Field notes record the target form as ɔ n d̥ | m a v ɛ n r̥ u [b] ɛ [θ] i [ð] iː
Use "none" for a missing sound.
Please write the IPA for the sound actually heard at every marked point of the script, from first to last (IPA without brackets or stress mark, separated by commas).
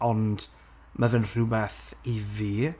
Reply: b, θ, v